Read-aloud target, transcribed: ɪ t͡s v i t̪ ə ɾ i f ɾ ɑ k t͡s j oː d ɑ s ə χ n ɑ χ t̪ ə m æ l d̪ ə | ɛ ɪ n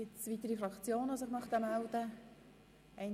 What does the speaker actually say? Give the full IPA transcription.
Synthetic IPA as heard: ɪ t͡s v i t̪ ə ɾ i f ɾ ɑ k t͡s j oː n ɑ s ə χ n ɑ χ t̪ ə m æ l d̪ ə | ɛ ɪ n